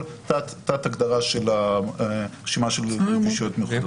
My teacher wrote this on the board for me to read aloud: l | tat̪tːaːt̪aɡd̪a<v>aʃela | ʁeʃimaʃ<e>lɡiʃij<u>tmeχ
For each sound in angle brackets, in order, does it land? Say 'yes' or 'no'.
no, yes, no

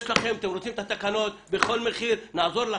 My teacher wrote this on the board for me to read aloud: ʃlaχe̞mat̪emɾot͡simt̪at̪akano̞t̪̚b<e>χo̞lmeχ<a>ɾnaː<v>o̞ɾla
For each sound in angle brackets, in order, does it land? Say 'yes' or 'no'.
yes, no, no

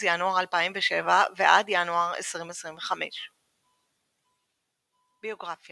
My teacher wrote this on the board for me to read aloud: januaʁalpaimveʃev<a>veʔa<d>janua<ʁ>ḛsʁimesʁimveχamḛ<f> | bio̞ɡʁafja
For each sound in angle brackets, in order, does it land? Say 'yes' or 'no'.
yes, yes, yes, no

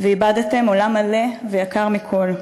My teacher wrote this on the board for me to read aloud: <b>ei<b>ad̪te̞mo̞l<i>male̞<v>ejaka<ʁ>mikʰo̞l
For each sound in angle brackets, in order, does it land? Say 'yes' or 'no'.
no, yes, no, yes, yes

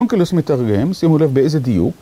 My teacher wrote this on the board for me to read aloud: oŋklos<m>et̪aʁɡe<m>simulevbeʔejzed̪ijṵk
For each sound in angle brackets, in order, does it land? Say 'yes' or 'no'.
yes, yes

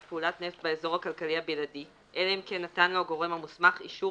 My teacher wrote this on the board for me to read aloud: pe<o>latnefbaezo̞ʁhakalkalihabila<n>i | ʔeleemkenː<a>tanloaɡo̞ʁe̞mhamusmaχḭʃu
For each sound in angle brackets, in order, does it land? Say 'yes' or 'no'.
no, no, yes

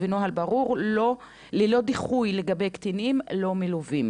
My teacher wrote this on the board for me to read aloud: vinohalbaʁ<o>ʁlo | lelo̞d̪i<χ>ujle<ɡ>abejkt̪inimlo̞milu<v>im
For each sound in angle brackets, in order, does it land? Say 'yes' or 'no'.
no, yes, yes, yes

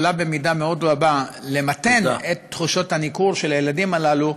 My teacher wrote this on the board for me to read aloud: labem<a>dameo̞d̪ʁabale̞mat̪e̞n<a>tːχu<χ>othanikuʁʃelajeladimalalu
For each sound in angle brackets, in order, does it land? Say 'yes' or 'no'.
no, no, no

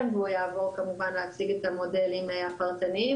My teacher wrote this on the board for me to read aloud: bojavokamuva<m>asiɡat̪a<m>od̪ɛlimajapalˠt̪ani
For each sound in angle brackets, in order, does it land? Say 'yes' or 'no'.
no, yes

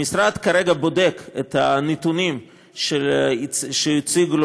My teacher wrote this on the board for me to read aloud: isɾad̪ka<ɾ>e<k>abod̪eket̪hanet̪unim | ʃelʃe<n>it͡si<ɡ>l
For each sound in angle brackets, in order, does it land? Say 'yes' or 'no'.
yes, no, no, yes

